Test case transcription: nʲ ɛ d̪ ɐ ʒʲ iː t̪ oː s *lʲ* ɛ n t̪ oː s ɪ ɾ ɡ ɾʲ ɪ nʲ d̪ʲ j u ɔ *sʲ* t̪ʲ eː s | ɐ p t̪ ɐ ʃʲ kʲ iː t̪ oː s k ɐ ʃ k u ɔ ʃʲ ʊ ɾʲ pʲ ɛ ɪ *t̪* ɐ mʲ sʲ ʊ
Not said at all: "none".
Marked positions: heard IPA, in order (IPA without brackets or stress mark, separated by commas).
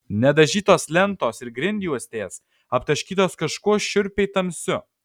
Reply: lʲ, sʲ, t̪